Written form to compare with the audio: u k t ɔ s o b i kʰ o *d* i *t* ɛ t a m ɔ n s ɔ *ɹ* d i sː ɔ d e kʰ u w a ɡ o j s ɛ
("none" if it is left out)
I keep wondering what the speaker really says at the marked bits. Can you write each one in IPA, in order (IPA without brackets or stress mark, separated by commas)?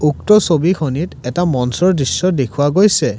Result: n, t, ɹ